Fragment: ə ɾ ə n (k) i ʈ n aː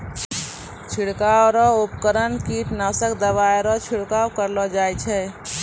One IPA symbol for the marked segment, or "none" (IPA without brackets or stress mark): k